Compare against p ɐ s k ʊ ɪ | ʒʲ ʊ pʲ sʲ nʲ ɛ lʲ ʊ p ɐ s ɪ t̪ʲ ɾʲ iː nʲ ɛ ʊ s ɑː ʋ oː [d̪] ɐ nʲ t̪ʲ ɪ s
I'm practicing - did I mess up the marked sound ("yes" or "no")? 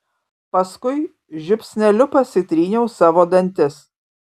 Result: no